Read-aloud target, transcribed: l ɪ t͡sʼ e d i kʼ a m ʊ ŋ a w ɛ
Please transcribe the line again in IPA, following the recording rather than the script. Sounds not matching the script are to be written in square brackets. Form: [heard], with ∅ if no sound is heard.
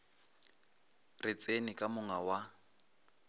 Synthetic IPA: [r] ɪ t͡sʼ e [n] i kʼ a m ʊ ŋ a w [a]

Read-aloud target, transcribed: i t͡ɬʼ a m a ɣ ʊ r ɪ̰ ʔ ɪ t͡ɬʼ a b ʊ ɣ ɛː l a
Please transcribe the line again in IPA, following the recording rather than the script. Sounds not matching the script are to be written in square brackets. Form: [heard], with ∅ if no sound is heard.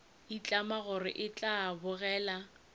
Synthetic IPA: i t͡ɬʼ a m a ɣ ʊ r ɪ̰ ʔ ɪ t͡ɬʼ a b ʊ ɣ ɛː l a

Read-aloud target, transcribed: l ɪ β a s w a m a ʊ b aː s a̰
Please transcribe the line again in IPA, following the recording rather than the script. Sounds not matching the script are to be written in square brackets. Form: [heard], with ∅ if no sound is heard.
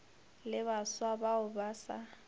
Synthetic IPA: l ɪ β a s w a [b] a ʊ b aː s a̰

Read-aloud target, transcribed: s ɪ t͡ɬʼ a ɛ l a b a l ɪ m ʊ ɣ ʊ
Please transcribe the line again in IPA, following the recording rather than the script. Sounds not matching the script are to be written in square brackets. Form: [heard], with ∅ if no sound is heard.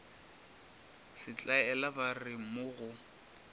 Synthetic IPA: s ɪ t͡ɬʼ a ɛ l a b a [r] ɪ m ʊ ɣ ʊ

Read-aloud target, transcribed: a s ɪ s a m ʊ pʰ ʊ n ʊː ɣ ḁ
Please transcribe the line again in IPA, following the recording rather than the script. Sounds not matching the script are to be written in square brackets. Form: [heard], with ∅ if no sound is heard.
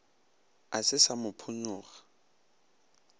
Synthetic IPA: a s ɪ s a m ʊ pʰ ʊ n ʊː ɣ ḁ

